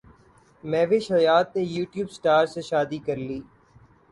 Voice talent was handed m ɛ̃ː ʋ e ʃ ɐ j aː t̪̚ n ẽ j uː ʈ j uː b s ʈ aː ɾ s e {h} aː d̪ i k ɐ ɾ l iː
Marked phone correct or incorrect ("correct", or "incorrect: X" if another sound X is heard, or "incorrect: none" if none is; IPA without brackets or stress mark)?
incorrect: ʃ